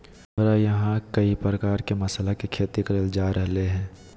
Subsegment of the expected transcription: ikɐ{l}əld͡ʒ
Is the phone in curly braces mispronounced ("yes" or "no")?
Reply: yes